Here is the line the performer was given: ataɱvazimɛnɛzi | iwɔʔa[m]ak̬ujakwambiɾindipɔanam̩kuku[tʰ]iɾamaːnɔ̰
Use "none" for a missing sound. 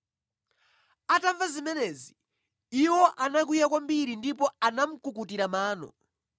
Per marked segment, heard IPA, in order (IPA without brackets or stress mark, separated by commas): n, t